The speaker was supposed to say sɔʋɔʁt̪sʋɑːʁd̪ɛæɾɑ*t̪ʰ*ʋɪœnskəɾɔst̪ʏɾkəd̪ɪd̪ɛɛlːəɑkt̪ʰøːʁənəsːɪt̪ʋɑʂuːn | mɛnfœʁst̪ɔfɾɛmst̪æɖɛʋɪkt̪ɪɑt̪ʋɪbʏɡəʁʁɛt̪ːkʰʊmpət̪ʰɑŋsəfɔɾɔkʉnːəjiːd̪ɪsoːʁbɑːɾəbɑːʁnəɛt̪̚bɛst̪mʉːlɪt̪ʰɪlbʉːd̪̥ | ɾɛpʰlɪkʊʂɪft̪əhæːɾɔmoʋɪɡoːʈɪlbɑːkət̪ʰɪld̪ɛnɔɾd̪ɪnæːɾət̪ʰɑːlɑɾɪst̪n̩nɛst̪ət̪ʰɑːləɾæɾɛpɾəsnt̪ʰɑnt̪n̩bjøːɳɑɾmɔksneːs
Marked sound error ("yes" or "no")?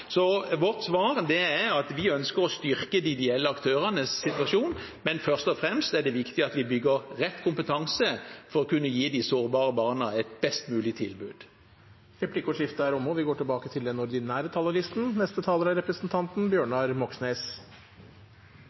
yes